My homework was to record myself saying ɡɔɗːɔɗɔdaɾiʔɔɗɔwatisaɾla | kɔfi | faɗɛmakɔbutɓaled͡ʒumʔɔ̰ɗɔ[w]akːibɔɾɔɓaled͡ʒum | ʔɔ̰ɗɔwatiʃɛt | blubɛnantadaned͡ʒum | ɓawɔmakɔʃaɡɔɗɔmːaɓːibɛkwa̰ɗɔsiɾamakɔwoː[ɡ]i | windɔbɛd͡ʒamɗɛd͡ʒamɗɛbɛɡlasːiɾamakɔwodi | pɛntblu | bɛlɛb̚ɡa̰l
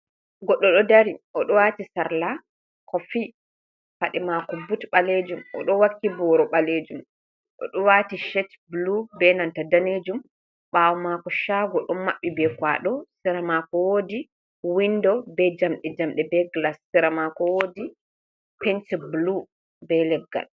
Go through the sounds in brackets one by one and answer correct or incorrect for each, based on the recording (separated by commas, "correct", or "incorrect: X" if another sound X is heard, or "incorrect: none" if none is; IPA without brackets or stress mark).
correct, incorrect: d